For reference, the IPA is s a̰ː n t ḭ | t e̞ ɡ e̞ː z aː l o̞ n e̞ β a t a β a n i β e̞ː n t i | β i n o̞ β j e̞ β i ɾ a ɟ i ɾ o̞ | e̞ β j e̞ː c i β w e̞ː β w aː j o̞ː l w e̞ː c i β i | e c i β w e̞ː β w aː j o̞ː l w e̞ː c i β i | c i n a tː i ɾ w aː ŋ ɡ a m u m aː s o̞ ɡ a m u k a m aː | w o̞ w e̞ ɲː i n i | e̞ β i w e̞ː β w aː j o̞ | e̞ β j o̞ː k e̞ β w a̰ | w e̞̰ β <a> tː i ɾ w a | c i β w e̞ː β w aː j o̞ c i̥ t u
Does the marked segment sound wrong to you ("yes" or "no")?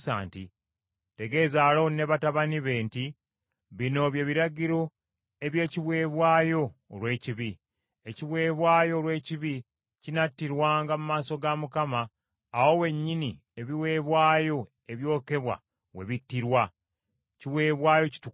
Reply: yes